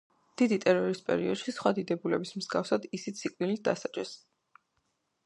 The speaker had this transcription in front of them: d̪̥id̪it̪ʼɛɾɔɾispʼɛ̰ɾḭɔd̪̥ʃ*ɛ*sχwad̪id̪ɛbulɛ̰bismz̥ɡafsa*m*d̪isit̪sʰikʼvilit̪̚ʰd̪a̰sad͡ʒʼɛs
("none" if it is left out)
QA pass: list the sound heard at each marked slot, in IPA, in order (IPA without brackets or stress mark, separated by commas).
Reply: i, none